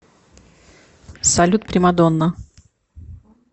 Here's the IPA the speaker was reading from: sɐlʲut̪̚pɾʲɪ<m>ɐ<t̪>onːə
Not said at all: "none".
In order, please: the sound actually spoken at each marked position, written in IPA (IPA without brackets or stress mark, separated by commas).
m, d̪